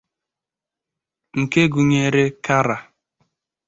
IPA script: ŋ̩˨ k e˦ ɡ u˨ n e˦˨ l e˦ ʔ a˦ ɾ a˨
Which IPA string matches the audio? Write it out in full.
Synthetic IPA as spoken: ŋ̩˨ k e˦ ɡ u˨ ɲ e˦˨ ɾ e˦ k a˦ ɾ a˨